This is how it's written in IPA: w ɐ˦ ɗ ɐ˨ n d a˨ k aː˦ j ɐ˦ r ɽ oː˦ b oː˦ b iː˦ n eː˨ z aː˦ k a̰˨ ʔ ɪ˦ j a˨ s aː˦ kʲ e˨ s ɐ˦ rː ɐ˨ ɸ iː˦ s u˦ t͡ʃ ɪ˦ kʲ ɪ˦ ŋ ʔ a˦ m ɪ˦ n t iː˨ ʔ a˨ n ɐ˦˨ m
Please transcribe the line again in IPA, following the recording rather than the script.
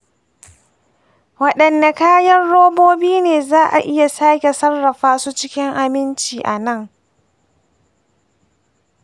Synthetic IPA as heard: w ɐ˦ ɗ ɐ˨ n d a˨ k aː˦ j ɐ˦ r ɽ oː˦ b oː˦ b iː˦ n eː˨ z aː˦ ʔ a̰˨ ʔ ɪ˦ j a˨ s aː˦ kʲ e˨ s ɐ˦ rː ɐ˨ ɸ aː˦ s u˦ t͡ʃ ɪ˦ kʲ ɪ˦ ŋ ʔ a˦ m ɪ˦ n t͡ʃ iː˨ ʔ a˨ n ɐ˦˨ ŋ